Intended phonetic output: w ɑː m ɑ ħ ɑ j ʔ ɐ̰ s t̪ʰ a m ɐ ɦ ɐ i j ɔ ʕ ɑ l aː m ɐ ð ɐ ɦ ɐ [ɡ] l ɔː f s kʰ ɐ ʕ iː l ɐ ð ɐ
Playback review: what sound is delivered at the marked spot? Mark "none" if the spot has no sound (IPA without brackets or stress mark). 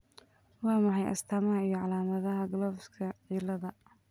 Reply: ɡ